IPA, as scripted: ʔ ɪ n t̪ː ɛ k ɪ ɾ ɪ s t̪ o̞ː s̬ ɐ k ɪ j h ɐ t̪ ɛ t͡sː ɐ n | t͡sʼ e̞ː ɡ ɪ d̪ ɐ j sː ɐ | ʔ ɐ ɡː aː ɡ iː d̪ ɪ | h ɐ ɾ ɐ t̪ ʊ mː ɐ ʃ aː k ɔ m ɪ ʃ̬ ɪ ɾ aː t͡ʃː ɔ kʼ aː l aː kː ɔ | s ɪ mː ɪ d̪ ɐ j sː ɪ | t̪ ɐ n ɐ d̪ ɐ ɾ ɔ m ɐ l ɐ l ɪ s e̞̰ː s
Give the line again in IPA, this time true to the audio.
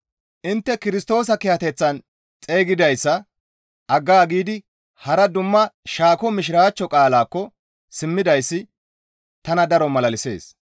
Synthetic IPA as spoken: ʔ ɪ n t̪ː ɛ k ɪ ɾ ɪ s t̪ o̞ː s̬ ɐ k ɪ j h ɐ t̪ ɛ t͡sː ɐ n | t͡sʼ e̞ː ɡ ɪ d̪ ɐ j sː ɐ | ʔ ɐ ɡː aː ɡ iː d̪ ɪ | h ɐ ɾ ɐ d̪ ʊ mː ɐ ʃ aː k ɔ m ɪ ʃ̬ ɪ ɾ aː t͡ʃː ɔ kʼ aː l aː kː ɔ | s ɪ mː ɪ d̪ ɐ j sː ɪ | t̪ ɐ n ɐ d̪ ɐ ɾ ɔ m ɐ l ɐ l ɪ s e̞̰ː s